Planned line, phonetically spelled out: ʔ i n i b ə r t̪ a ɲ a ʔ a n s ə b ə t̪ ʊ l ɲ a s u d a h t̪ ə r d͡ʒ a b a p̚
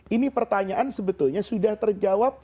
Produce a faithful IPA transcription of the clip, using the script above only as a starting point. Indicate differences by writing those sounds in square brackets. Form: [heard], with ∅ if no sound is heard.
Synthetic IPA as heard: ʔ i n i [p] ə r t̪ a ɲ a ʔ a n s ə b ə t̪ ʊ l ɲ a s u d a h t̪ ə r d͡ʒ a [w] a p̚